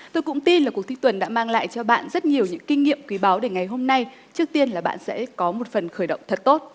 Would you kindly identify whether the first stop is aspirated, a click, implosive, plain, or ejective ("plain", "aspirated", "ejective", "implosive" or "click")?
plain